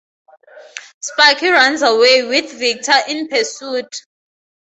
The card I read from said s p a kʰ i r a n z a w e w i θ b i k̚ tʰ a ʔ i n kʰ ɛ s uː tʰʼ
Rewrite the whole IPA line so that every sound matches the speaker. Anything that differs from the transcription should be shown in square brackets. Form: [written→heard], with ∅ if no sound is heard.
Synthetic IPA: s p a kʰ i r a n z a w e w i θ [b→v] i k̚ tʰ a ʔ i n [kʰ→pʰ] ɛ s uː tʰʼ